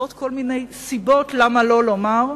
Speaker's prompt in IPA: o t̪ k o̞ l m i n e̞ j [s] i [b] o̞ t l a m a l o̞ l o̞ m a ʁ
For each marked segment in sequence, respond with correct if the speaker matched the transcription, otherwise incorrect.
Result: correct, correct

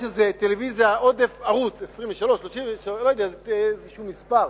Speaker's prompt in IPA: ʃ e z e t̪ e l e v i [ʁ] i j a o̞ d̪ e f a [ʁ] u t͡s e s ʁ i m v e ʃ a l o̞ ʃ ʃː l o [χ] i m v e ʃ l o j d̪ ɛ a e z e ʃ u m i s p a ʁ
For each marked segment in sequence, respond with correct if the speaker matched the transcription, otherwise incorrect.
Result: incorrect: z, correct, incorrect: ʃ

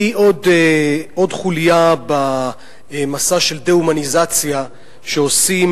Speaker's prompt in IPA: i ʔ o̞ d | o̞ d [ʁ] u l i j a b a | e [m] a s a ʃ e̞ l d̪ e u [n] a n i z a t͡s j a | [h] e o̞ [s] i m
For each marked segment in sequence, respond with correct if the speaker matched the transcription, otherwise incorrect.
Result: incorrect: χ, correct, incorrect: m, incorrect: ʃ, correct

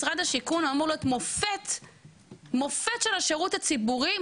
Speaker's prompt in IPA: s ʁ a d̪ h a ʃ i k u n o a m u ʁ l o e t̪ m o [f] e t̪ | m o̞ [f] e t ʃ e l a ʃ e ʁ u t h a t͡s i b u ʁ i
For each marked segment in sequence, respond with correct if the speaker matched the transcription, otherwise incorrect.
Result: correct, correct

